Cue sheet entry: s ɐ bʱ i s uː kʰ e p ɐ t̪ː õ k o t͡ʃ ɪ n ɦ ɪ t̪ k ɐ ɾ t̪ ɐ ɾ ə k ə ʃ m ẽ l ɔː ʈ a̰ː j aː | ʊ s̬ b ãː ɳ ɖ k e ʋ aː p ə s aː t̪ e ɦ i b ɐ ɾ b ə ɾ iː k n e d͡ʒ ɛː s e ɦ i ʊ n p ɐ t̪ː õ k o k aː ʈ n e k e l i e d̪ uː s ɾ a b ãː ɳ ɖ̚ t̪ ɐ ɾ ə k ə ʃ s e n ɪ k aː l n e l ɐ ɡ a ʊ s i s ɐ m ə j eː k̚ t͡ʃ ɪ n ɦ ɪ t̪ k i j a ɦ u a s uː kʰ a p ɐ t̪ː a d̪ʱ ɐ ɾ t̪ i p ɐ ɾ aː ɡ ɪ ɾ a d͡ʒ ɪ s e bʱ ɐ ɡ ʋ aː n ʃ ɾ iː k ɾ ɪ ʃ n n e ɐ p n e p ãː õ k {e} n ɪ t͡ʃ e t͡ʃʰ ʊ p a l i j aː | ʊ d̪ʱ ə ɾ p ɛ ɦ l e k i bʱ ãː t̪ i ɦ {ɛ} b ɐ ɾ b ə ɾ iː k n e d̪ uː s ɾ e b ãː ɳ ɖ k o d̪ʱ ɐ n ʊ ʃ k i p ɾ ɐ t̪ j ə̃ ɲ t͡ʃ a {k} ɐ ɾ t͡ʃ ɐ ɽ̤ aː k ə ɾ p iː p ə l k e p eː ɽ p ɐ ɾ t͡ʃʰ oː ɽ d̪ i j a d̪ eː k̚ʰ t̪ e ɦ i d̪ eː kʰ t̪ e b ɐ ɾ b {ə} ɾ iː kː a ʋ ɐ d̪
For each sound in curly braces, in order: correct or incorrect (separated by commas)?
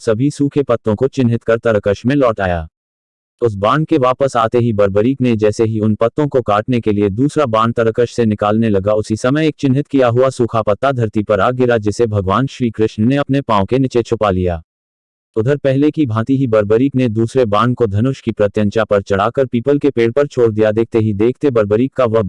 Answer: correct, incorrect, incorrect, correct